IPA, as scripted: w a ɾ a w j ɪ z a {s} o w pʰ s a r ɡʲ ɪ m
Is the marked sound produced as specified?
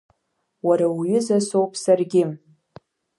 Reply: yes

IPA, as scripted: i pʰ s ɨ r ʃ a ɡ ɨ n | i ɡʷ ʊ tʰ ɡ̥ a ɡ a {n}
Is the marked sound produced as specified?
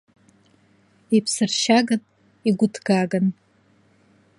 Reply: yes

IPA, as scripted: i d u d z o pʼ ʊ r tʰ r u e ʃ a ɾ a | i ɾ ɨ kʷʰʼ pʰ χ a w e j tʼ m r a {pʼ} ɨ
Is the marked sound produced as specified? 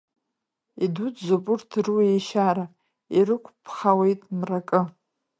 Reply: no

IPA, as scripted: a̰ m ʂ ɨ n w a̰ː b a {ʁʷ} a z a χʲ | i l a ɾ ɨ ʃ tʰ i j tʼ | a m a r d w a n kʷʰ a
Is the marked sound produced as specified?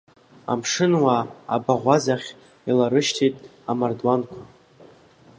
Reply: yes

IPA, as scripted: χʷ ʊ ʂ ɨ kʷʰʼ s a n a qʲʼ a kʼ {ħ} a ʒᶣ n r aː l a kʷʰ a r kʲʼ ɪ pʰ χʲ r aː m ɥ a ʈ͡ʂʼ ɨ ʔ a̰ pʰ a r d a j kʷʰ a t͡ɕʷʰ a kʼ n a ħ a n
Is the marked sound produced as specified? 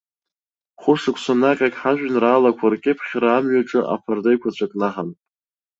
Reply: yes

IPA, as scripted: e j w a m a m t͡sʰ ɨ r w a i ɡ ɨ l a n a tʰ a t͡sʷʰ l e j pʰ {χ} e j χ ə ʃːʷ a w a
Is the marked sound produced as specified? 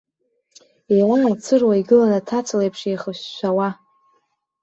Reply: no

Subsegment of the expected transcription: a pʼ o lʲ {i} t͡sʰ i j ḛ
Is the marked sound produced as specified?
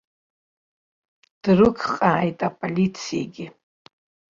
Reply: yes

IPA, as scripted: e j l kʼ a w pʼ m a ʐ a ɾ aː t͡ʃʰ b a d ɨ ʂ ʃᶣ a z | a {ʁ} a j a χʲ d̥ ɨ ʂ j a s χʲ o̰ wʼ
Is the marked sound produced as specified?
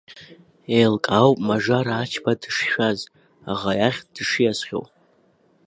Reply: yes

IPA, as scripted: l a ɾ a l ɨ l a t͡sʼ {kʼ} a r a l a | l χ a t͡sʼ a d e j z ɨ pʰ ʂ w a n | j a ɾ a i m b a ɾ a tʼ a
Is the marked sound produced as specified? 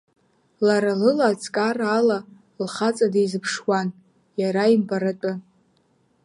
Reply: yes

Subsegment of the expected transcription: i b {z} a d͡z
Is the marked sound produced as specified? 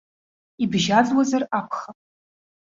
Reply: no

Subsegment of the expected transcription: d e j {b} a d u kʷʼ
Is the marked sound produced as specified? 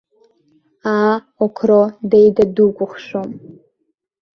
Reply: no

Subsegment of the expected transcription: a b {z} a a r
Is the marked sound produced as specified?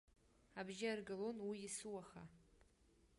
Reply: no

